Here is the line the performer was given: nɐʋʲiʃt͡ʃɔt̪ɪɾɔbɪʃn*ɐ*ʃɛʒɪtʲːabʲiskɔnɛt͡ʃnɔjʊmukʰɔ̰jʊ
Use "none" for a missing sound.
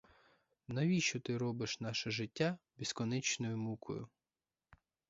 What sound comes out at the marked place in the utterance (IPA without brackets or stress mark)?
ɑ